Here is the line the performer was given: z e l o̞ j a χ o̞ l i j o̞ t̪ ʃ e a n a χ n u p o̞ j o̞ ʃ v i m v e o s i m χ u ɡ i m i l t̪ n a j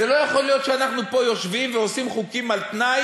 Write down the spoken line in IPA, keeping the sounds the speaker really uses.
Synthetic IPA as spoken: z e l o̞ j a χ o̞ l i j o̞ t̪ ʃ e a n a χ n u p o̞ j o̞ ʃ v i m v e o s i m χ u k i m a l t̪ n a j